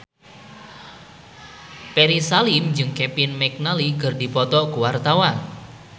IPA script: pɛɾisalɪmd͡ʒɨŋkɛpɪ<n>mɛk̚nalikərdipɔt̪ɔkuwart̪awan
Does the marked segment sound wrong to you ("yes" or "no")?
no